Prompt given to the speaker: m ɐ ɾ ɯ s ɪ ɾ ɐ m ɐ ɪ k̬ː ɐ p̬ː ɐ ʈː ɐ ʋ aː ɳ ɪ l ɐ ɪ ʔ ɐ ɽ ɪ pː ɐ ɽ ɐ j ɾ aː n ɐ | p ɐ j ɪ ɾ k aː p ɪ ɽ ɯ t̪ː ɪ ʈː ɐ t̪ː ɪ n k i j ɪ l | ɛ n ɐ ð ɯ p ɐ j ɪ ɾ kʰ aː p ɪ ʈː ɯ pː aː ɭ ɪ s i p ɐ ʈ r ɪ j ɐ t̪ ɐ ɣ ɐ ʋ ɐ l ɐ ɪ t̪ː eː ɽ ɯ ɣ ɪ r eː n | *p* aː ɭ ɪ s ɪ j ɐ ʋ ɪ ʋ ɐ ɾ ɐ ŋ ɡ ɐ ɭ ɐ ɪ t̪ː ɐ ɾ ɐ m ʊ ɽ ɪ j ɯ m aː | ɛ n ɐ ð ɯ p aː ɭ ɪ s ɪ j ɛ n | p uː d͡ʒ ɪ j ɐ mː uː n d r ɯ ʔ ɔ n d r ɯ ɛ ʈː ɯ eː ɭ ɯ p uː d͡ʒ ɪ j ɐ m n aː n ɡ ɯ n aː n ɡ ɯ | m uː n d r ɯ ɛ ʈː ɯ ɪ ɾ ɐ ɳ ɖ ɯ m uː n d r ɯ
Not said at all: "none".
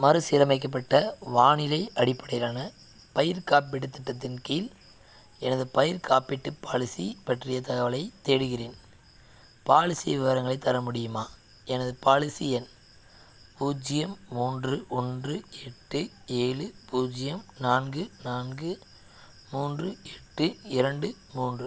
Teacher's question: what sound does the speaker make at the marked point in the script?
p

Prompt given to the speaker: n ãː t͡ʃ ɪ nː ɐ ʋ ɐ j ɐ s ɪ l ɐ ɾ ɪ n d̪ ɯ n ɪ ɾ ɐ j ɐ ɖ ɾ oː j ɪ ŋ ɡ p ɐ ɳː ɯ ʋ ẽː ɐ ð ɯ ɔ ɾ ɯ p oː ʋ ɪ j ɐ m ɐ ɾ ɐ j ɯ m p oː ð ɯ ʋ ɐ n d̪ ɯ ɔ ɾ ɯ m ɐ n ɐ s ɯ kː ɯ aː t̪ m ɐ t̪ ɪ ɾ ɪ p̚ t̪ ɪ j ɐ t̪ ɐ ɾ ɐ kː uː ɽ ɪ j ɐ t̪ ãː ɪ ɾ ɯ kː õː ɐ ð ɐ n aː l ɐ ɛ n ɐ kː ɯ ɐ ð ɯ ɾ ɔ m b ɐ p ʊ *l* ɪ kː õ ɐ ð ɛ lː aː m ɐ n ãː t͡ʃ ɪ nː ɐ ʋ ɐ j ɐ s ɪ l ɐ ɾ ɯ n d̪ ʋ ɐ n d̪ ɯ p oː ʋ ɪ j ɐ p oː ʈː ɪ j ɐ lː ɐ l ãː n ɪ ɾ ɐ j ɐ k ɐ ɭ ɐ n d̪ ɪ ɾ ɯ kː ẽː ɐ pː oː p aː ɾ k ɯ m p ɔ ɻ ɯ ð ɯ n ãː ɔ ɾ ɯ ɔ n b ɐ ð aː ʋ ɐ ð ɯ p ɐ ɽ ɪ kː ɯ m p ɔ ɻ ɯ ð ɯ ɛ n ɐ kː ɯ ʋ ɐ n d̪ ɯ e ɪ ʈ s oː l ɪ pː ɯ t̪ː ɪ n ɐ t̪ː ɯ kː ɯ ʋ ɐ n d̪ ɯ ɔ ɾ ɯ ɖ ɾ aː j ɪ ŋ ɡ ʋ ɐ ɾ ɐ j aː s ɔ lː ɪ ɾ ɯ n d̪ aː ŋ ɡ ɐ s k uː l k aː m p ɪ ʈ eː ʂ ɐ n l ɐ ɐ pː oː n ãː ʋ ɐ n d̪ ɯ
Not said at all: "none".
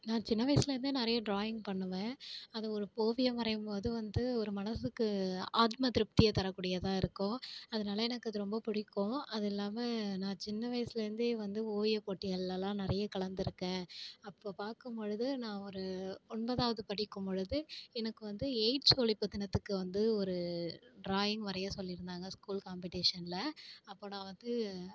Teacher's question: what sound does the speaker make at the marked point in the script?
ɽ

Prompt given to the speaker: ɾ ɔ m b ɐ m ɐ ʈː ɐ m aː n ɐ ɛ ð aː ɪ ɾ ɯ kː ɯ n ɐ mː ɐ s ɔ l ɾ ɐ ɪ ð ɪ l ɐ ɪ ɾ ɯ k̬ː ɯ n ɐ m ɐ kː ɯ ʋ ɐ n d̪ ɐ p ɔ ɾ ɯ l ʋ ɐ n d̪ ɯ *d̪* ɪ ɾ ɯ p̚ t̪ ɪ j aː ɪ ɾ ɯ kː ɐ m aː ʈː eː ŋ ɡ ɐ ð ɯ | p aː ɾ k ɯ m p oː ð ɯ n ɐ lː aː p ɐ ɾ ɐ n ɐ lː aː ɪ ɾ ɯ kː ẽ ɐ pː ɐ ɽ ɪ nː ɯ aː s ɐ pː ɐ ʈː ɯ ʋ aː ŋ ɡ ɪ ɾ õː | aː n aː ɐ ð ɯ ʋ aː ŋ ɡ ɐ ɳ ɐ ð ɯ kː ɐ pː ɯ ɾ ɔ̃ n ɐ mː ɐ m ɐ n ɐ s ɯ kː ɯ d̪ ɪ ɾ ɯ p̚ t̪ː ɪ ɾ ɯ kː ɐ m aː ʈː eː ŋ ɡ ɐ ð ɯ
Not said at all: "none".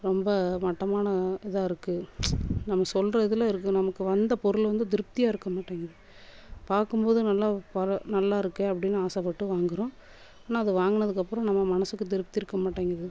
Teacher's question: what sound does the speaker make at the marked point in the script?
d̪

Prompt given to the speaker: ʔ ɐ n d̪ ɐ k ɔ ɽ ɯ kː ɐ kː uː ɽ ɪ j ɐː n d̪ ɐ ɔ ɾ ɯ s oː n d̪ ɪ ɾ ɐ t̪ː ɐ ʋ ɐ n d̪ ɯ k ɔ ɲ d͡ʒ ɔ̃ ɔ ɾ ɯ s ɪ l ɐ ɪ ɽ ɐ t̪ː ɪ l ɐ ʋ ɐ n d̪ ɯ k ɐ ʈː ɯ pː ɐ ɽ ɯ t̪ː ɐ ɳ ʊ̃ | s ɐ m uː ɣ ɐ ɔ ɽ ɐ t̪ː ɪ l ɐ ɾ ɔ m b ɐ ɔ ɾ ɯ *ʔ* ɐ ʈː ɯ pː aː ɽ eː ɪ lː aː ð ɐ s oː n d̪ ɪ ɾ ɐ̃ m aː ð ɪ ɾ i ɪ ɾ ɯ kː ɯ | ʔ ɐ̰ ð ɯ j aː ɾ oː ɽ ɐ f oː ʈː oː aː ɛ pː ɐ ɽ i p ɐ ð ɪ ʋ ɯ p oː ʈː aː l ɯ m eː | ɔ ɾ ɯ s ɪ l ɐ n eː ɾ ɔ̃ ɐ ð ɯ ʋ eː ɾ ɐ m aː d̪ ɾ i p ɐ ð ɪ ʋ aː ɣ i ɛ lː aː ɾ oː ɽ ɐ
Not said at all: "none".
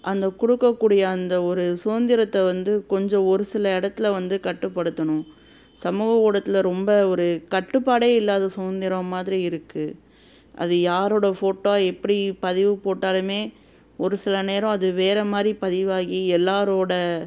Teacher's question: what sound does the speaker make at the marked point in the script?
k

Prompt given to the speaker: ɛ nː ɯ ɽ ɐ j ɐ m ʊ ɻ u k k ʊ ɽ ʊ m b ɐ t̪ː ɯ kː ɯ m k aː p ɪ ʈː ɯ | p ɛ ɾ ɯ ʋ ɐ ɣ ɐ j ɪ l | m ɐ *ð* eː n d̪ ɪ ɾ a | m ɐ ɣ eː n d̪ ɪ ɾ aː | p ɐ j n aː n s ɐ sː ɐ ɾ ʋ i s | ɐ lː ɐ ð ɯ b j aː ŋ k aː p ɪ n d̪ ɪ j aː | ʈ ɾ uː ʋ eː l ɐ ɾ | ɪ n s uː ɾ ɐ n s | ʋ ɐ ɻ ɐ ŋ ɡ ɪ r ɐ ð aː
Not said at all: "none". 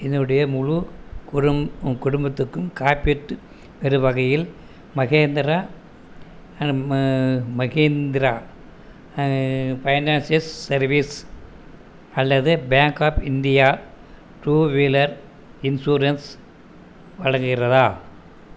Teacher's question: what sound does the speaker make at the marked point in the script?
ɣ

